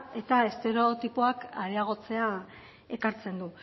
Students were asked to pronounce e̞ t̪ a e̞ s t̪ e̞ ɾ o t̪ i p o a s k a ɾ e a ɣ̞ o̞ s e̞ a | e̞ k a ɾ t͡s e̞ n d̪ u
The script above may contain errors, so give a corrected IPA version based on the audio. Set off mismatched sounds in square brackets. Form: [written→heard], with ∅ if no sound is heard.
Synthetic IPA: e̞ t̪ a e̞ s t̪ e̞ ɾ o t̪ i p o a [s→∅] k a ɾ e a ɣ̞ o̞ [s→t͡s] e̞ a | e̞ k a ɾ t͡s e̞ n d̪ u